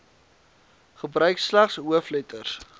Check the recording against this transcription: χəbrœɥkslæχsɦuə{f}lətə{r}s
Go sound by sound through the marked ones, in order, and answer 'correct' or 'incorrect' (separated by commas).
correct, correct